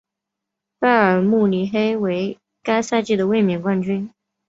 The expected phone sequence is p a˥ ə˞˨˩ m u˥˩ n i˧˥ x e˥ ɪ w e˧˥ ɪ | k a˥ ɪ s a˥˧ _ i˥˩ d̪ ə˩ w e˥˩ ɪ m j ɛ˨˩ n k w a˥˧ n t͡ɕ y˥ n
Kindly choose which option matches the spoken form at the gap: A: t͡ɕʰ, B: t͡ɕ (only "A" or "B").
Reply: B